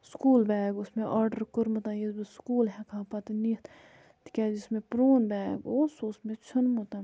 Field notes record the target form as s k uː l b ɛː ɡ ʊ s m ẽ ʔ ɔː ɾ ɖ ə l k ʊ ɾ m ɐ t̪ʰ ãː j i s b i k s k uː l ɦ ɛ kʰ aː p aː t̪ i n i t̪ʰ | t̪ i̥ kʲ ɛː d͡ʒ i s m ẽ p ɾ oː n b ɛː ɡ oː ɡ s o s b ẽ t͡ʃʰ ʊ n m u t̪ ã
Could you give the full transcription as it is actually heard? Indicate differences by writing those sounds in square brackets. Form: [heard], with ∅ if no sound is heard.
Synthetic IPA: s k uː l b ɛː ɡ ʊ s m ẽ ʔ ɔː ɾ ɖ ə [ɾ] k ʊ ɾ m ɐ [t̪] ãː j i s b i [∅] s k uː l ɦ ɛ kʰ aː p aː t̪ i n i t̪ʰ | t̪ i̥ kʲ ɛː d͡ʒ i s m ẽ p ɾ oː n b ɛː ɡ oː [∅] s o s [m] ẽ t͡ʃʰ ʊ n m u t̪ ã